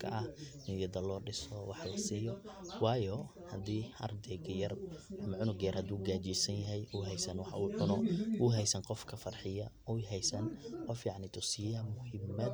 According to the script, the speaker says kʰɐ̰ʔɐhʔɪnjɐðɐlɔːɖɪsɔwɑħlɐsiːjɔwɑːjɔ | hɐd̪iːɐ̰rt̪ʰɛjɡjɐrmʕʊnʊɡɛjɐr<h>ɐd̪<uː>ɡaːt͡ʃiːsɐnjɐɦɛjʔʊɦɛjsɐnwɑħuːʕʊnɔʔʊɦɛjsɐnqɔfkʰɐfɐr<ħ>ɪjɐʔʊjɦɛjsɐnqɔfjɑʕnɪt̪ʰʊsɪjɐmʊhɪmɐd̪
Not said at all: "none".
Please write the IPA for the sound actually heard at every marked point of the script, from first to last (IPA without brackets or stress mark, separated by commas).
h, uː, ħ